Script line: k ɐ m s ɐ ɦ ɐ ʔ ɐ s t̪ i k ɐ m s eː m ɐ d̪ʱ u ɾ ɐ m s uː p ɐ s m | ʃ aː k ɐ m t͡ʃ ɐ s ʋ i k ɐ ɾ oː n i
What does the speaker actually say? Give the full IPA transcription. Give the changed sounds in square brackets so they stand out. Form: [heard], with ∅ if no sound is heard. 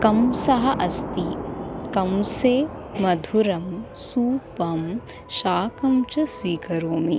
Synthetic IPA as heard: k ɐ m s ɐ ɦ ɐ ʔ ɐ s t̪ i k ɐ m s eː m ɐ d̪ʱ u ɾ ɐ m s uː p ɐ [∅] m | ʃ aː k ɐ m t͡ʃ ɐ s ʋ [iː] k ɐ ɾ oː [m] i

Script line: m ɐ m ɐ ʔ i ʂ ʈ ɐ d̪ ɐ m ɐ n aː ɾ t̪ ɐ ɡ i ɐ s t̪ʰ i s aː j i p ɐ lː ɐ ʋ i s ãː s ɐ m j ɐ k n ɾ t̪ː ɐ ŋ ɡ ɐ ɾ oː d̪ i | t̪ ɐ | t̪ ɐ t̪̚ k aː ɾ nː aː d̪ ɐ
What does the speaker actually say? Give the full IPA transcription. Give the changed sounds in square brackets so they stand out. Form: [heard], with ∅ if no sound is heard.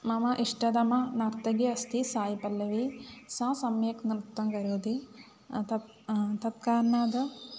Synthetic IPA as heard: m ɐ m ɐ ʔ i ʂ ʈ ɐ d̪ ɐ m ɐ n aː ɾ t̪ ɐ ɡ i ɐ s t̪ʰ i s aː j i p ɐ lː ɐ ʋ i s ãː s ɐ m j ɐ k n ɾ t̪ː ɐ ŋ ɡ ɐ ɾ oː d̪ i | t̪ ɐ | t̪ ɐ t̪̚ k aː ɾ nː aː d̪ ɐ

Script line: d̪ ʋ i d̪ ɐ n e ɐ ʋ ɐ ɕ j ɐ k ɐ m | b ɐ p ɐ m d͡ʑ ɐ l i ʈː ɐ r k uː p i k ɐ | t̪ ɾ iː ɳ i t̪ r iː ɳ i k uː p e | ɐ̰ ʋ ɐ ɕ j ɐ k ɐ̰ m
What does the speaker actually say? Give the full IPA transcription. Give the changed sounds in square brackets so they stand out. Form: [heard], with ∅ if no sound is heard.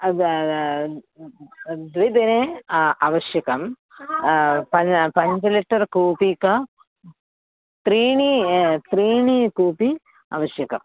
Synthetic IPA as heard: d̪ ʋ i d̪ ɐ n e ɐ ʋ ɐ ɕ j ɐ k ɐ m | [p] ɐ p ɐ [ɲ] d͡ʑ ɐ l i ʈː ɐ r k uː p i k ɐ | t̪ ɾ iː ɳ i t̪ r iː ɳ i k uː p [i] | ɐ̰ ʋ ɐ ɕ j ɐ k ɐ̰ m

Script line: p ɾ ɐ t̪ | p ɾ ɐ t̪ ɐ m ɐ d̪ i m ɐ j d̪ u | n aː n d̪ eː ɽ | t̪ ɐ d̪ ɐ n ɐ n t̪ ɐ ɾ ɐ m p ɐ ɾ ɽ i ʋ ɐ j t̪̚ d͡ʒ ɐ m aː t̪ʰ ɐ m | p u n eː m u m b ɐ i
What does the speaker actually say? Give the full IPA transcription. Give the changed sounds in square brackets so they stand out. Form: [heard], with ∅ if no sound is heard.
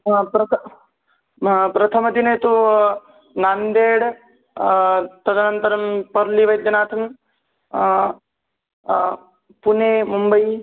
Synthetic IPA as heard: p ɾ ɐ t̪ | p ɾ ɐ [t̪ʰ] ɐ m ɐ d̪ i [n] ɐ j [t̪] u | n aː n d̪ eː ɽ | t̪ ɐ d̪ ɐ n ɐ n t̪ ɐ ɾ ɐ m p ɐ ɾ [l] i ʋ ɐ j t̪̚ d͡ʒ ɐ [n] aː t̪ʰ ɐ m | p u n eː m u m b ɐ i

